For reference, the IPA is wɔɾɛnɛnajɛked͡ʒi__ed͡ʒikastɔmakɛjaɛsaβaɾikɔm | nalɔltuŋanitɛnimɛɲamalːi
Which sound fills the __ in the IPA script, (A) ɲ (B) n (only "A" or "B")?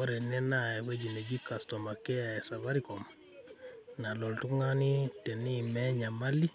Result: B